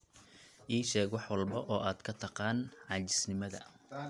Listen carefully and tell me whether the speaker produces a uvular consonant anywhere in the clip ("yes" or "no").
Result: yes